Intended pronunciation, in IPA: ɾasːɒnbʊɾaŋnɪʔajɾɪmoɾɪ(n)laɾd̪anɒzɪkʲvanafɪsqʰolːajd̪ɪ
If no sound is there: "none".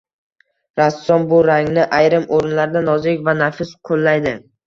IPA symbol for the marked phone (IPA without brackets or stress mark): n